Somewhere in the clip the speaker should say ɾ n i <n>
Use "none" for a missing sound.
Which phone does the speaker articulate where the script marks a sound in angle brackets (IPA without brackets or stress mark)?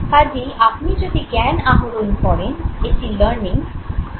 ŋ